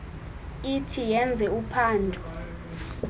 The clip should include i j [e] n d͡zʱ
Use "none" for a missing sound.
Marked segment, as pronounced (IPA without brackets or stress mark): ɛ